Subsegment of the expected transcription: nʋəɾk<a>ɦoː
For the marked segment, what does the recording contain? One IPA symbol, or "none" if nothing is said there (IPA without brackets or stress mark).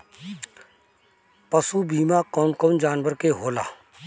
e